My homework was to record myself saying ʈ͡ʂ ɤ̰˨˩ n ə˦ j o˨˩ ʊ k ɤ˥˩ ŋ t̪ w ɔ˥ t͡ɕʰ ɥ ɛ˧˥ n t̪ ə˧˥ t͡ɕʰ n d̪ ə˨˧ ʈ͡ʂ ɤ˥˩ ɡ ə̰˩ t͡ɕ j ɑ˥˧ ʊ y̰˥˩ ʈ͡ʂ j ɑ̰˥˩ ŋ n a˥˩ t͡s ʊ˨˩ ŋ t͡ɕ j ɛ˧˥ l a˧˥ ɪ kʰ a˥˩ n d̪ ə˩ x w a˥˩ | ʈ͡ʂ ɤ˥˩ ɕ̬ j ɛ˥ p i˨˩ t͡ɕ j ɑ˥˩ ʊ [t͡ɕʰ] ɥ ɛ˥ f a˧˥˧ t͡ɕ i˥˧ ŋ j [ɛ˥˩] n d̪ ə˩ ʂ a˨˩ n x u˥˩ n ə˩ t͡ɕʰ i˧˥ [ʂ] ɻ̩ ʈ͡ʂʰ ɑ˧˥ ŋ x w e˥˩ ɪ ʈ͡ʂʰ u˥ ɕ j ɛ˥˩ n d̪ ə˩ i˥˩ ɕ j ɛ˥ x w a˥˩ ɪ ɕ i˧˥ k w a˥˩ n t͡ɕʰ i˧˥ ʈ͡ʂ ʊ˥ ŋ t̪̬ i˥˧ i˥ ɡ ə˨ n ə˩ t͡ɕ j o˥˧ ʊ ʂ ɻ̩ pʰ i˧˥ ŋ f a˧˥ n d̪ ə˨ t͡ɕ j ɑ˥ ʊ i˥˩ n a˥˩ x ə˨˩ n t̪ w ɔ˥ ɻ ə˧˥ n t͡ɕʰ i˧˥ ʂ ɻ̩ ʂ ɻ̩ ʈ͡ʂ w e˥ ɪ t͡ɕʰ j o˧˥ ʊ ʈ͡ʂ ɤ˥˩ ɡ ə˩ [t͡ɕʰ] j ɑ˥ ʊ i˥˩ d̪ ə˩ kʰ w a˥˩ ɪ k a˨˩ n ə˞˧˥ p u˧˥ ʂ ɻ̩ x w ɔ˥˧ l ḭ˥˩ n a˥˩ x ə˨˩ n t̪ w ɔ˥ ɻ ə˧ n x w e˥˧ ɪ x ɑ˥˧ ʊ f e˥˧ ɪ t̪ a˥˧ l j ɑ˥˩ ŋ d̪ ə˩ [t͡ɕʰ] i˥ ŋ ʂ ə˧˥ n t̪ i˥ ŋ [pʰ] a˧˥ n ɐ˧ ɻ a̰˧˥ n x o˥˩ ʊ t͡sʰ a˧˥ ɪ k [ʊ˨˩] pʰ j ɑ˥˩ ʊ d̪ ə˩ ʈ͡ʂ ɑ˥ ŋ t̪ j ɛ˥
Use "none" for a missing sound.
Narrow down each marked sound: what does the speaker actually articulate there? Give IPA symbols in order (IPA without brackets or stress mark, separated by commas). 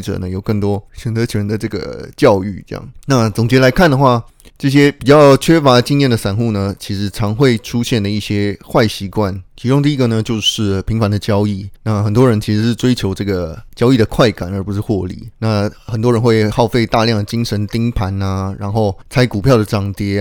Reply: t͡ɕʰ, ɛ˥˩, ʂ, t͡ɕ, t͡ɕ, pʰ, u˨˩